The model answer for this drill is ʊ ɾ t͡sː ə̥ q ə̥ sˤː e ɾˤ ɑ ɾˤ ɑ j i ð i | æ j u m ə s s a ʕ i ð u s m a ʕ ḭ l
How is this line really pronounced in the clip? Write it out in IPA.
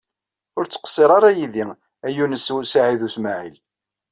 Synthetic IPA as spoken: ʊ ɾ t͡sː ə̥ q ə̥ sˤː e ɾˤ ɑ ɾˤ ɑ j i ð i | æ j u n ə s s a ʕ i ð u s m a ʕ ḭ l

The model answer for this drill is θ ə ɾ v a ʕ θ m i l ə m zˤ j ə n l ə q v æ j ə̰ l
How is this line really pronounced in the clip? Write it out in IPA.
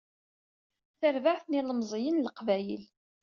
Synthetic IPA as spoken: θ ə ɾ v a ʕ θ n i l ə m zˤ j ə n l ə q v æ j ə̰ l

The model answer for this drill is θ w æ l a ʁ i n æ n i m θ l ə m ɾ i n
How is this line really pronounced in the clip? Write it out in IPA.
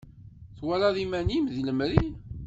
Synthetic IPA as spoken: θ w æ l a ð i m æ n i m ð l ə m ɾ i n

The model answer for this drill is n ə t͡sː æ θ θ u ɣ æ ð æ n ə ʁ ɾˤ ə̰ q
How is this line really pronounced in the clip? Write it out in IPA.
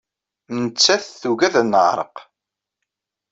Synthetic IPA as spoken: n ə t͡sː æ θ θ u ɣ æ ð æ n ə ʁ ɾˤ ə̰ q

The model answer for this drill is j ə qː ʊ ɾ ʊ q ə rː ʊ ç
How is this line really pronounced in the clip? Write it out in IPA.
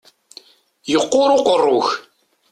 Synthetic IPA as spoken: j ə qː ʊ ɾ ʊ q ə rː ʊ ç

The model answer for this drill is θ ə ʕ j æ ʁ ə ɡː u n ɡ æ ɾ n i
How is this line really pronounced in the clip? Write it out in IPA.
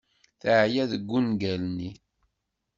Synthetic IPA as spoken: θ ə ʕ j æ ð ə ɡː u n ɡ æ l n i

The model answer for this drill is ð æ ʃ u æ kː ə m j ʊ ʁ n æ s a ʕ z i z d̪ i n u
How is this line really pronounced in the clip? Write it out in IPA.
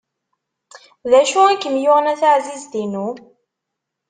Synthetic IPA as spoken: ð æ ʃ u æ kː ə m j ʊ ʁ n æ θ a ʕ z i z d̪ i n u

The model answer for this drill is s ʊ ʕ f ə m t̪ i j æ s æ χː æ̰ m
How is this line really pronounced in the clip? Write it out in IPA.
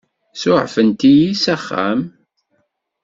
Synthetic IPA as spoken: s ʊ ʕ f ə n t̪ i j i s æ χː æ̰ m

